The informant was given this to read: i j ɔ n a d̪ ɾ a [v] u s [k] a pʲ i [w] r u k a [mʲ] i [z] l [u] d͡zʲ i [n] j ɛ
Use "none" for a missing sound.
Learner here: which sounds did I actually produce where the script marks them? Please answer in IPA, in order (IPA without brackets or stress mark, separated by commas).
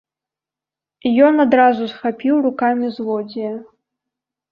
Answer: z, x, w, mʲ, z, ɔ, none